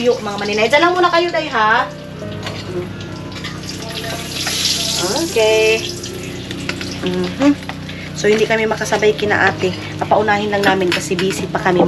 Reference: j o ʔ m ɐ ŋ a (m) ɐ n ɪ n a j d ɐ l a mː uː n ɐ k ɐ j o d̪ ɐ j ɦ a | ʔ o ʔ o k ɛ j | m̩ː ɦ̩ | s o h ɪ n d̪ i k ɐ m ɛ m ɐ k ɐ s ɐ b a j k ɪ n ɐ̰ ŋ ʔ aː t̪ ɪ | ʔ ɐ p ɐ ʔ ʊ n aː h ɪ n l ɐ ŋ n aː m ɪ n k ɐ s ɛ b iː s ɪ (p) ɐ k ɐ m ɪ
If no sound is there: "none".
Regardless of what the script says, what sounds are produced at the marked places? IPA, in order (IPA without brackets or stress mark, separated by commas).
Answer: m, p